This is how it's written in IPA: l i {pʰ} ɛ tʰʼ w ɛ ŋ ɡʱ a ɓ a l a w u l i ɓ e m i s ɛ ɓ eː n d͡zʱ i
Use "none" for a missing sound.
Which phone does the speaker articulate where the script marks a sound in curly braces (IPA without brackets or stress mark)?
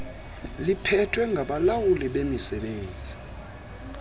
pʰ